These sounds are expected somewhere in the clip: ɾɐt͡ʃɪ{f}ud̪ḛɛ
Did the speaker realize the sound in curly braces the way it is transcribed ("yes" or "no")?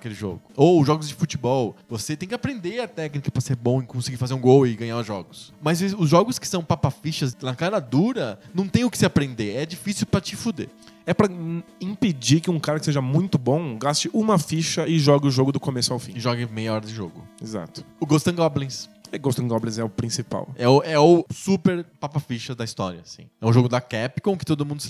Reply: yes